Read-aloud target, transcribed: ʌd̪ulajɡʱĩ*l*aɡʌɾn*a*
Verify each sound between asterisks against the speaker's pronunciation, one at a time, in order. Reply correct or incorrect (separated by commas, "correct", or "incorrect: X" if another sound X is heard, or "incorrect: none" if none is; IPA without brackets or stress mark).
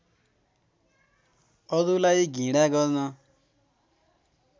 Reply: incorrect: ɽ, incorrect: ʌ